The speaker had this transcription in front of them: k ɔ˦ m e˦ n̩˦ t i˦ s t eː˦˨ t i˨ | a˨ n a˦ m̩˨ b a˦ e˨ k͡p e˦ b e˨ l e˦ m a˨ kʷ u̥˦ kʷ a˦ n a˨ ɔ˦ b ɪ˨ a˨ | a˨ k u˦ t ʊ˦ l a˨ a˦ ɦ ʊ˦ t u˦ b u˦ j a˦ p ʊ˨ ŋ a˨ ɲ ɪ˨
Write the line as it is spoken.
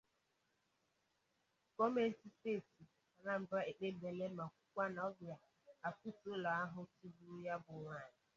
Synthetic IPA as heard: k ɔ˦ m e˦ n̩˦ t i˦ s t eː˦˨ t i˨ | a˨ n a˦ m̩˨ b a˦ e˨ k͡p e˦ b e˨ l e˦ m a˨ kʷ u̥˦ kʷ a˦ n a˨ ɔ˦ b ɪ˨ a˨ | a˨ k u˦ t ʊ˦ l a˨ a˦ ɦ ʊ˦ t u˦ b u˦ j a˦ b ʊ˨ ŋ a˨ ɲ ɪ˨